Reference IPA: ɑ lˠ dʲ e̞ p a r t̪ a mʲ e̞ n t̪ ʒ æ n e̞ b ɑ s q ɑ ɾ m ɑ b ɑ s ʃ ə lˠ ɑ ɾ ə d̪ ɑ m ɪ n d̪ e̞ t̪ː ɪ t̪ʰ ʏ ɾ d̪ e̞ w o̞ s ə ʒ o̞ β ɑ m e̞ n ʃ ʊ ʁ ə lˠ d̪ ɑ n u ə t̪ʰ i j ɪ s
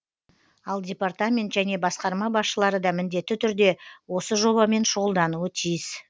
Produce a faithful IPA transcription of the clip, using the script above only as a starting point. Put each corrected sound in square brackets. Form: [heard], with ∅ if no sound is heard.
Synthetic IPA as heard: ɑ lˠ dʲ e̞ p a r t̪ a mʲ e̞ n t̪ ʒ æ n e̞ b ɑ s q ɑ ɾ m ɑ b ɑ s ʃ ə lˠ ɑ ɾ ə d̪ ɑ m ɪ n d̪ e̞ t̪ː ɪ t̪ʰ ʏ ɾ d̪ e̞ w o̞ s ə ʒ o̞ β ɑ m e̞ n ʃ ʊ ʁ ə lˠ d̪ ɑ n u ə t̪ʰ i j ɪ s